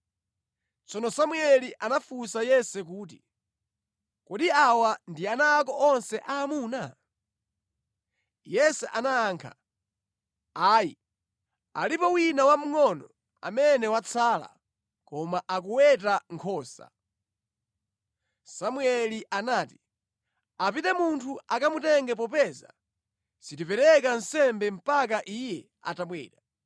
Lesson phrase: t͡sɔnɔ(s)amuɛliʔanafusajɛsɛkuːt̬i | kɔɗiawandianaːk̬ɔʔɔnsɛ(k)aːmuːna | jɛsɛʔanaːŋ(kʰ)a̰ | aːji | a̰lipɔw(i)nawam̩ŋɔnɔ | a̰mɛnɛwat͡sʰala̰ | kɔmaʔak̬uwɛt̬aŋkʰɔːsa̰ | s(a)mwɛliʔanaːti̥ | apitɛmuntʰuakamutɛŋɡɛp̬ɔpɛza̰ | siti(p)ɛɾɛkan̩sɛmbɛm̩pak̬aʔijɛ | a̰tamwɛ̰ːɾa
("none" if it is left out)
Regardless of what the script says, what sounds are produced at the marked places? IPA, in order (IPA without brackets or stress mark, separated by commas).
s, ʔ, kʰ, i, a, p